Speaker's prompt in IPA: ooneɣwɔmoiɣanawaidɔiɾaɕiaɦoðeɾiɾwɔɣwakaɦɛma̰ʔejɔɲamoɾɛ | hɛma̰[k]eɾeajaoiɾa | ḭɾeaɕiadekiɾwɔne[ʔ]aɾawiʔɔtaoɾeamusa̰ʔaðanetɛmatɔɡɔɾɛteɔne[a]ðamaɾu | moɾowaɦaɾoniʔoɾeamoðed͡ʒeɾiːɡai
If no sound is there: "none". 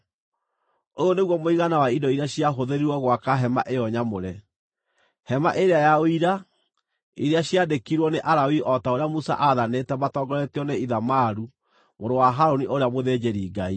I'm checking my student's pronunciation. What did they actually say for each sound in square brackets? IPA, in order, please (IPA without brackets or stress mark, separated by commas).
ʔ, ʔ, i